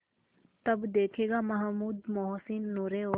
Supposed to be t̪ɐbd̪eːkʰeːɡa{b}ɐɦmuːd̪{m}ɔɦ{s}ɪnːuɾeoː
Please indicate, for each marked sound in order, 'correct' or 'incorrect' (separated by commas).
incorrect, correct, correct